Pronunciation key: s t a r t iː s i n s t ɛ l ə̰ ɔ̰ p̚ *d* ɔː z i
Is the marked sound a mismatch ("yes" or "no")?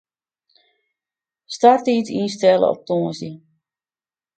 yes